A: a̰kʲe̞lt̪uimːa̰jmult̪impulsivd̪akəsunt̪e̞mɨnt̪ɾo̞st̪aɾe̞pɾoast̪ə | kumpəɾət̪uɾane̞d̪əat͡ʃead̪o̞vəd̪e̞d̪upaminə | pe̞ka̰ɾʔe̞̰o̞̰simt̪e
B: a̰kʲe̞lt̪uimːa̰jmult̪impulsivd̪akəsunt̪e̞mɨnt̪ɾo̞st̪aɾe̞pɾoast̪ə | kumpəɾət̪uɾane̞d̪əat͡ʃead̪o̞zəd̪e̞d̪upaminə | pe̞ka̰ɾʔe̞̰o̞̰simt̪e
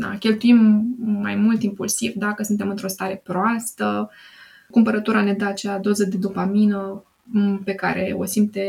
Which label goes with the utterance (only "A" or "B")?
B